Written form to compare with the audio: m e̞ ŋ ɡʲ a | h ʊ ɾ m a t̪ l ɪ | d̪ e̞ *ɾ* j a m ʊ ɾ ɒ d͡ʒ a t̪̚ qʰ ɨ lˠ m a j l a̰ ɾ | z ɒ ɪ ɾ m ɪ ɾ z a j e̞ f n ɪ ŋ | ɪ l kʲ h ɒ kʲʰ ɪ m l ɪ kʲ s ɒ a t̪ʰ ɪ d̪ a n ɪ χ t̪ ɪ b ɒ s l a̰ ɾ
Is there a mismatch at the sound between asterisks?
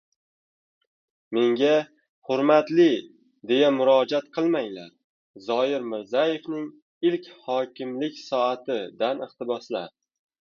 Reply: yes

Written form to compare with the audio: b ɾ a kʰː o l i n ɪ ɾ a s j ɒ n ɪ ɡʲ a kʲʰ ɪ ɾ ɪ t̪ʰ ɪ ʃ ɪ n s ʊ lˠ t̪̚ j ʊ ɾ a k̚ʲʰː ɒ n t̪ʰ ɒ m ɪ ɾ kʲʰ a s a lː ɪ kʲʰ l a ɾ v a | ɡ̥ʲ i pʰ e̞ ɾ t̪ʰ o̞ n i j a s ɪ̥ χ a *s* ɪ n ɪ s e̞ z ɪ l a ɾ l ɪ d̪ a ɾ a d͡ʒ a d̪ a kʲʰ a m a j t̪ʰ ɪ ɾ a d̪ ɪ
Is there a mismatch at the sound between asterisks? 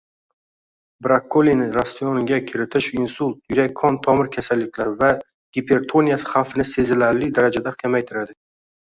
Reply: yes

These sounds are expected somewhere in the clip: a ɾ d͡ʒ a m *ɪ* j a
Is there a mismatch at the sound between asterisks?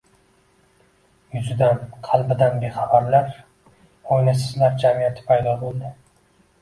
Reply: yes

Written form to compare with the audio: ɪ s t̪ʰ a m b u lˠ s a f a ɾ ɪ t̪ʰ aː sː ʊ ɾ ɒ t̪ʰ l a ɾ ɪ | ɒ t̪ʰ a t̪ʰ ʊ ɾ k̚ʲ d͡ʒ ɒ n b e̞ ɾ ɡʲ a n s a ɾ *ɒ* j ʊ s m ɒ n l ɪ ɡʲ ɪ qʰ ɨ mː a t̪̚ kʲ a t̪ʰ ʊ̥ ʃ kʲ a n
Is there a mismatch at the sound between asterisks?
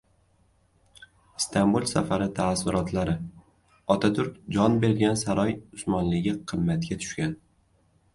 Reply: no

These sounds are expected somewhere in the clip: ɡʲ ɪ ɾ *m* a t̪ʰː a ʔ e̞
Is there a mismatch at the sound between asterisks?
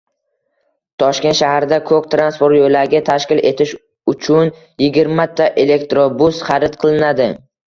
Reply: no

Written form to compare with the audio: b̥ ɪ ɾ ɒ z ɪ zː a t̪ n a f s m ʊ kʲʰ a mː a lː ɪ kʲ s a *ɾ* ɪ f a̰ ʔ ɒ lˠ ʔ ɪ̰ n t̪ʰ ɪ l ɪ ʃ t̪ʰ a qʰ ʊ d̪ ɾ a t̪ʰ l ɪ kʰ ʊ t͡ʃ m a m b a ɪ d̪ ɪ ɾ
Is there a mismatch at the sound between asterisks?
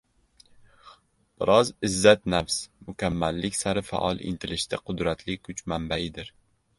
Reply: no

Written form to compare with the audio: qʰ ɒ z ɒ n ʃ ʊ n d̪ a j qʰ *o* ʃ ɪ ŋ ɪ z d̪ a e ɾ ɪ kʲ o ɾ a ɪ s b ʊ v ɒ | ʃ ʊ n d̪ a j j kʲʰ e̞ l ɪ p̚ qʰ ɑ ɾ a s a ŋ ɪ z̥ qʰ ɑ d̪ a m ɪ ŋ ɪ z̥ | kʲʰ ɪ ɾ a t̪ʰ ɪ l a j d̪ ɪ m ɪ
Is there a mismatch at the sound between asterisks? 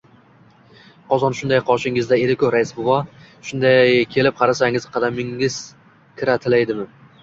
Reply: yes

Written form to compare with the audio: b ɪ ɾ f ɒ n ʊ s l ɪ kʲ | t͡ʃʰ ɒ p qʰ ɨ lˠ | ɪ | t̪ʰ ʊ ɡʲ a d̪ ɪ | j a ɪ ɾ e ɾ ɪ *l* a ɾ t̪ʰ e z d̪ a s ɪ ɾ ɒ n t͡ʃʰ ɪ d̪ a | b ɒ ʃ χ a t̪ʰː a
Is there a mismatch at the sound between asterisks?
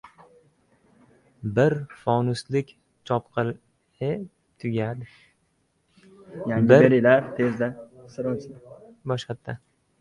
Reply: no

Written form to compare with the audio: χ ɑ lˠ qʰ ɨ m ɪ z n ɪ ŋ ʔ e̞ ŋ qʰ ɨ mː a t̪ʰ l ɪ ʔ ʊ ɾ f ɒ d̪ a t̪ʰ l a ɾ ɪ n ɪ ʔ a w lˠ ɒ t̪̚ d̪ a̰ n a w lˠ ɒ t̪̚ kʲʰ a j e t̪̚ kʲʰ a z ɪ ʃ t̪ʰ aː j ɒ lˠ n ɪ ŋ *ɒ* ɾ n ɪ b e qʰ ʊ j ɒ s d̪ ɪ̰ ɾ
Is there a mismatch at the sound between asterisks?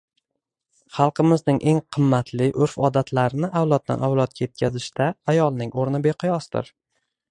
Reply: yes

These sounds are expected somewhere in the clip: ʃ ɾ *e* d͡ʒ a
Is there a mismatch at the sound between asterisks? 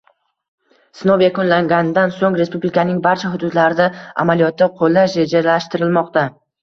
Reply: no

